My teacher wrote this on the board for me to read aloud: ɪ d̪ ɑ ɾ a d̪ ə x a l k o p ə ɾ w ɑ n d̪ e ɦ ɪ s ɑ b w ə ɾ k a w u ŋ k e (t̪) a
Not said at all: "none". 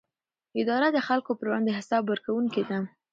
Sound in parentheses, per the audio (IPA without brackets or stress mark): d̪